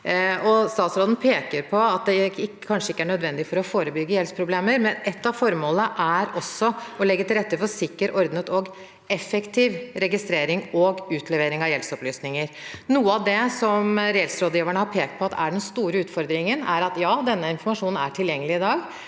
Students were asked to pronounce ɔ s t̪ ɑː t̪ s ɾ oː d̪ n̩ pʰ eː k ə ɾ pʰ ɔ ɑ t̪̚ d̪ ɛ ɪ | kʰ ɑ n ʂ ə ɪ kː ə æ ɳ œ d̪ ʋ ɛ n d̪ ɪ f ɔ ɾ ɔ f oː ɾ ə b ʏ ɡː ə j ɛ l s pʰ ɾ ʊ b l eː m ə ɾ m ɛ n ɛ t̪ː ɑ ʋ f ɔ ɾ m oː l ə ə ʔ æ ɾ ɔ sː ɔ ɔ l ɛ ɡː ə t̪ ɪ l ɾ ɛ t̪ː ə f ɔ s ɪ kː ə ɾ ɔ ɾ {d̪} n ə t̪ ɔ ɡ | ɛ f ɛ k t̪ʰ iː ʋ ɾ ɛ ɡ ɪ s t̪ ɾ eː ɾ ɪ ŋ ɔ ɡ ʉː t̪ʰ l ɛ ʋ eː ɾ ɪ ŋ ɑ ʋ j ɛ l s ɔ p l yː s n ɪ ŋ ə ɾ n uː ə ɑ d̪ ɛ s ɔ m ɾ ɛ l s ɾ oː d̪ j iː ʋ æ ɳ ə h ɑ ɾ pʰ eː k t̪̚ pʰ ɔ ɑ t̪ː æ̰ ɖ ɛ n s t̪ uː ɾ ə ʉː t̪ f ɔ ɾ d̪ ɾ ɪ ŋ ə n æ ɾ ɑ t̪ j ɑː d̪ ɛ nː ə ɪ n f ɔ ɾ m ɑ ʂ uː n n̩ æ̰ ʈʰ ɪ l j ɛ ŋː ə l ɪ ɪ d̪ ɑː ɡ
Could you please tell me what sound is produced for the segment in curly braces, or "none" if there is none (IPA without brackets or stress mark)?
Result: d̪